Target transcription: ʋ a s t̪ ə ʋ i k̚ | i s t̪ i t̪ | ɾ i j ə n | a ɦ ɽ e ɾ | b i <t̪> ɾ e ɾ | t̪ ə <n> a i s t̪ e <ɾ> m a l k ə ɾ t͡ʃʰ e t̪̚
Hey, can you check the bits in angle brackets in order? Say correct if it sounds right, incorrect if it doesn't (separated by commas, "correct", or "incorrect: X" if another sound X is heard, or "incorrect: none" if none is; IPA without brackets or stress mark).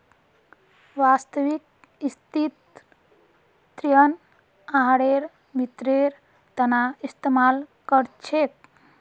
correct, correct, incorrect: none